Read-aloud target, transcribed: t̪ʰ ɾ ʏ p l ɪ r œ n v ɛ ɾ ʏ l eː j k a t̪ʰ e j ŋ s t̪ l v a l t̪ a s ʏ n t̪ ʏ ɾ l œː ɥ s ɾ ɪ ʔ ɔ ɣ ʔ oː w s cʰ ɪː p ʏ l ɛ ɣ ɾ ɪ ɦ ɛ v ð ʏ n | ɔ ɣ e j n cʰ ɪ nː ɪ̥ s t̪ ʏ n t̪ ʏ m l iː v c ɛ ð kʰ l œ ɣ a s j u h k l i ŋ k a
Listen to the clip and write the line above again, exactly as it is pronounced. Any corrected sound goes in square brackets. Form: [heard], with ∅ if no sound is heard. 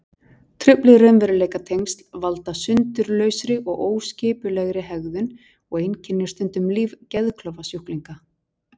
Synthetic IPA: t̪ʰ ɾ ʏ p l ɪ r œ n v ɛ ɾ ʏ l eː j k a t̪ʰ e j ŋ s t̪ l v a l t̪ a s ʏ n t̪ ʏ ɾ l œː ɥ s ɾ ɪ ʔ ɔ ɣ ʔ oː w s [c] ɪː p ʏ l ɛ ɣ ɾ ɪ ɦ ɛ [ɣ] ð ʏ n | ɔ ɣ e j n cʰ ɪ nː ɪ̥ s t̪ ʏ n t̪ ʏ m l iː v c ɛ ð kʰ l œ [v] a s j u h k l i ŋ k a